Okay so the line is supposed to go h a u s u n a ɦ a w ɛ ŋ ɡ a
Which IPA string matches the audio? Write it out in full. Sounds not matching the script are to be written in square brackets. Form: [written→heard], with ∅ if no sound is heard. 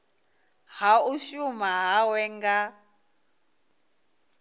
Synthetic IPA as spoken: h a u [s→ʃ] u [n→m] a ɦ a w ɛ ŋ ɡ a